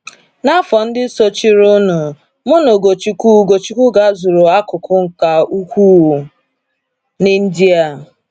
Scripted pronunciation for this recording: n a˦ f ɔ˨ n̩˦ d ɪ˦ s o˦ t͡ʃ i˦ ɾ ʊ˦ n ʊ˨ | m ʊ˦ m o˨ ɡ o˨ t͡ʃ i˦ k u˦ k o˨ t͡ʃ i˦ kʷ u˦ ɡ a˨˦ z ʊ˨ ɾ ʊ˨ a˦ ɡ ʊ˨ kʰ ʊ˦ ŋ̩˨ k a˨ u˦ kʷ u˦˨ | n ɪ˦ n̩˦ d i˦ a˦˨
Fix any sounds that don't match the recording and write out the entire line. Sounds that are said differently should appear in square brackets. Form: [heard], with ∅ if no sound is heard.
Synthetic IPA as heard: n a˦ f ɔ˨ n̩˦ d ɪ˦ s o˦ t͡ʃ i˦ ɾ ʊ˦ n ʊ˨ | m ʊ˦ [n] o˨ ɡ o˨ t͡ʃ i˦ k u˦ [ɡ] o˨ t͡ʃ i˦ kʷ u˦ ɡ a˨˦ z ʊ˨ ɾ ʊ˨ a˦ [k] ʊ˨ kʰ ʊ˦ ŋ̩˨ k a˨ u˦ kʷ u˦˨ | n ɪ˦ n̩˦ d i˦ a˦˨